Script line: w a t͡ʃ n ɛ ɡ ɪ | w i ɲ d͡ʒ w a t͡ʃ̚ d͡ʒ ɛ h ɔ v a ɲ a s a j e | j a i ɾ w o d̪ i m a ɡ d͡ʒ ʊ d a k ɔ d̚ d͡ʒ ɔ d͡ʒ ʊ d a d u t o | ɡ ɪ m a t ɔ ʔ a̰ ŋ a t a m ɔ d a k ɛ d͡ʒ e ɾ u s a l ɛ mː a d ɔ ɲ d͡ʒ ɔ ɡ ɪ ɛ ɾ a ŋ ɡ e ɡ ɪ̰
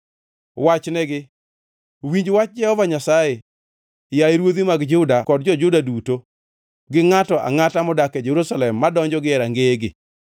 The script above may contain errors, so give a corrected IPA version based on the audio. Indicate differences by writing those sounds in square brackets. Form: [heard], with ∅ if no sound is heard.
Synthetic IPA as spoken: w a t͡ʃ n ɛ ɡ ɪ | w i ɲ d͡ʒ w a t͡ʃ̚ d͡ʒ ɛ h ɔ v a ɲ a s a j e | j a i ɾ w o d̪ i m a ɡ d͡ʒ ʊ d a k ɔ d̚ d͡ʒ ɔ d͡ʒ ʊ d a d u t o | ɡ ɪ [ŋ] a t ɔ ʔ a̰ ŋ a t a m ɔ d a k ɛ d͡ʒ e ɾ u s a l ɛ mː a d ɔ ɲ d͡ʒ ɔ ɡ ɪ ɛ ɾ a ŋ ɡ e ɡ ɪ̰